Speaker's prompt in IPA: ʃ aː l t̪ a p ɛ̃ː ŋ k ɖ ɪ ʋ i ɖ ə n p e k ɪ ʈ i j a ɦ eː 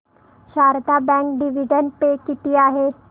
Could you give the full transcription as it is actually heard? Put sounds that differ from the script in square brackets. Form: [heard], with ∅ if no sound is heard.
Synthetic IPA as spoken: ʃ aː [ɾ] t̪ a [b] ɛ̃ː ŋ k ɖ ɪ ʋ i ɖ ə n p e k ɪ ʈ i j a ɦ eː